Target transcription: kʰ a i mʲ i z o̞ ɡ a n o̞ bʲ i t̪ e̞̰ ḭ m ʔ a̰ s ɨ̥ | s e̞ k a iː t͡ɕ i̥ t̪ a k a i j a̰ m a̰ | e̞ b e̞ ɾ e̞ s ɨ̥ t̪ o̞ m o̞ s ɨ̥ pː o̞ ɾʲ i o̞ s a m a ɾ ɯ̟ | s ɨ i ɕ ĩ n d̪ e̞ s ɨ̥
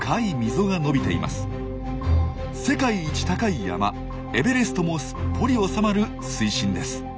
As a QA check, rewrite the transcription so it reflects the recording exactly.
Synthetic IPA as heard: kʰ a i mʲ i z o̞ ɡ a n o̞ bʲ i t̪ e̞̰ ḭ m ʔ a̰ s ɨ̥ | s e̞ k a iː t͡ɕ i̥ t̪ a k a i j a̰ m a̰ | e̞ b e̞ ɾ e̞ s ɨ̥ t̪ o̞ m o̞ s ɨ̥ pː o̞ ɾʲ i o̞ s a m a ɾ ɯ̟ | s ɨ i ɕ ĩ n d̪ e̞ s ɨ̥